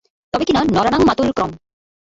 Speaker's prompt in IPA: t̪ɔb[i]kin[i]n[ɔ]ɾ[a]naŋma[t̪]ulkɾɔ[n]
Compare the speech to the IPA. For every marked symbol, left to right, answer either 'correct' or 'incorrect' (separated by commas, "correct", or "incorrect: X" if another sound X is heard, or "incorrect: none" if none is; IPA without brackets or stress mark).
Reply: incorrect: e, incorrect: a, correct, correct, correct, incorrect: m